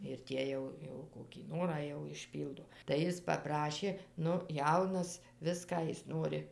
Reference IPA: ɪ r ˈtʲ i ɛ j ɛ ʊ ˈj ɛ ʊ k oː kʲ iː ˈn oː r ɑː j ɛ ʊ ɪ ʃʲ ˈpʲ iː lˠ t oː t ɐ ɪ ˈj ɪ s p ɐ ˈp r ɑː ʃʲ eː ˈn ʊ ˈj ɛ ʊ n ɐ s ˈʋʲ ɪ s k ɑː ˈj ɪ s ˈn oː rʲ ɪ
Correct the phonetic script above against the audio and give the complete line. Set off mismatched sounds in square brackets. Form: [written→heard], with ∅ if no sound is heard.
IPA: ɪ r ˈtʲ i ɛ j ɛ ʊ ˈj ɛ ʊ k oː kʲ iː ˈn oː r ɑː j ɛ ʊ ɪ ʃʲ ˈpʲ iː lˠ [t→d] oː t ɐ ɪ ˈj ɪ s p ɐ ˈp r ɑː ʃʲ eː ˈn ʊ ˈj ɛ ʊ n ɐ s ˈʋʲ ɪ s k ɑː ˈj ɪ s ˈn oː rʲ ɪ